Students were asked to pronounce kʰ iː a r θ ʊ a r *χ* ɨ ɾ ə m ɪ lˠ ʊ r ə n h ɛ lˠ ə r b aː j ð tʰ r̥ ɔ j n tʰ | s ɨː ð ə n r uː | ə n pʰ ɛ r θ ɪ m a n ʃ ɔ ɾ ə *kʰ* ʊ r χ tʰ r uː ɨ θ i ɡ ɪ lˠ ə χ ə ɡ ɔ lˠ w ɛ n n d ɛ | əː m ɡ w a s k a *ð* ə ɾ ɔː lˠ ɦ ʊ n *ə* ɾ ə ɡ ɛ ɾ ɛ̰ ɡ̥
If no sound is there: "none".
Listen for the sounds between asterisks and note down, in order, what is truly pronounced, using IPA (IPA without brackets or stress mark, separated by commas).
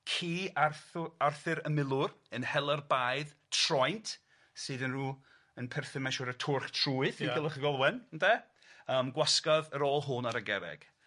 θ, tʰ, ð, a